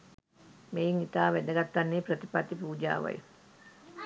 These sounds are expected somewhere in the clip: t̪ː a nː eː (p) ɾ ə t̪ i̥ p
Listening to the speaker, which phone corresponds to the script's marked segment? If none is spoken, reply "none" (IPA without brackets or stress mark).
p